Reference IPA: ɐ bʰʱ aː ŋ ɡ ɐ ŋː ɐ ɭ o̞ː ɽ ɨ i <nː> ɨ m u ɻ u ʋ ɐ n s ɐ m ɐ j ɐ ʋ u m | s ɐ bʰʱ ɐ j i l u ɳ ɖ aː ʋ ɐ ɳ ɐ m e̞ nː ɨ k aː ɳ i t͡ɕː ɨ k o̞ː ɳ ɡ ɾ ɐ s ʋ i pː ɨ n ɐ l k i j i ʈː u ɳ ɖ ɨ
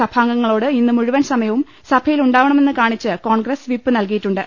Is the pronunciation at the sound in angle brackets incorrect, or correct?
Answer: correct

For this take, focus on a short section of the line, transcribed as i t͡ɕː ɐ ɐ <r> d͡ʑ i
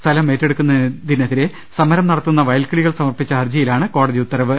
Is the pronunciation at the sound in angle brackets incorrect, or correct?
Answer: correct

